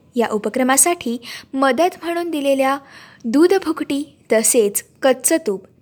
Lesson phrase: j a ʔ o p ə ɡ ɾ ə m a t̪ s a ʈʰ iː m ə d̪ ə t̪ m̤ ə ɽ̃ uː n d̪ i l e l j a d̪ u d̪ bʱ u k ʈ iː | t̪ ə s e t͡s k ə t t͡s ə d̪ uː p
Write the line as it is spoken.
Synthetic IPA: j a ʔ u p ə k ɾ ə m a s a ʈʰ iː m ə d̪ ə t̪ m̤ ə ɽ̃ uː n d̪ i l e l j a d̪ u d̪ bʱ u k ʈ iː | t̪ ə s e t͡s k ə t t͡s ə t̪ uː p